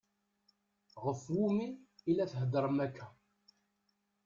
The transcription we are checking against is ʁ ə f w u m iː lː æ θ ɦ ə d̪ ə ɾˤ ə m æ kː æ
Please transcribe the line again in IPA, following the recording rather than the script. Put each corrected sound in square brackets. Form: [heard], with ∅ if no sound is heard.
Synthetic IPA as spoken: ʁ ə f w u m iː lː æ θ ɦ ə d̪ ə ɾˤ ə m æ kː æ